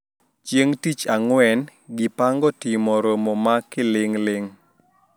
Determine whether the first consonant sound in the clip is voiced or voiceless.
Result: voiceless